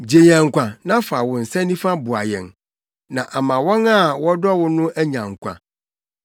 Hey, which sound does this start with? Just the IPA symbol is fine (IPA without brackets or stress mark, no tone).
d͡ʑ